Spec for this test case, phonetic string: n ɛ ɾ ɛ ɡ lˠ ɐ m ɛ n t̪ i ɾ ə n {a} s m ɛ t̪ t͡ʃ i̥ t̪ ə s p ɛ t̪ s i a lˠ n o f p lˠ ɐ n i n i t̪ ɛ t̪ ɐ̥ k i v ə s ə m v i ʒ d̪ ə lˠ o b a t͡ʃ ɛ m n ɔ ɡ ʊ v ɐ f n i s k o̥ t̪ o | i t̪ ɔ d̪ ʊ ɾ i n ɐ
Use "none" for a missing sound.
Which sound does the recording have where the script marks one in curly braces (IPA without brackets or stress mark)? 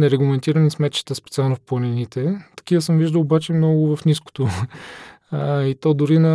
i